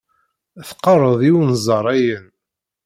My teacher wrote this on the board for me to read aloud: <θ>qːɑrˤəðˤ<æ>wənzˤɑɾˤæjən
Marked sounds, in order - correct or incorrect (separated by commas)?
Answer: correct, incorrect